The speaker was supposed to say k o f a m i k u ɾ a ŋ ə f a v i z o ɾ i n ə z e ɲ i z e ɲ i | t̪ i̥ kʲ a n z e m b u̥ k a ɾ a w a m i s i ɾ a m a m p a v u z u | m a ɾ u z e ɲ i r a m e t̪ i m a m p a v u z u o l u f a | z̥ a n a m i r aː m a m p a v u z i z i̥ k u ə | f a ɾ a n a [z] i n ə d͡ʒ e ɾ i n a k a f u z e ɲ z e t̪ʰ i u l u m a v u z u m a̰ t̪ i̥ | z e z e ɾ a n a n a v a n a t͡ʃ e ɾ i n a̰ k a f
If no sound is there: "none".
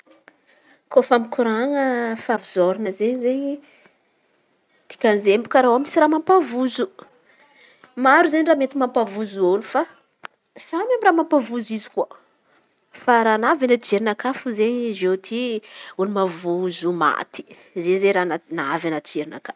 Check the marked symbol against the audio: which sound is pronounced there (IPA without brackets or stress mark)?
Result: v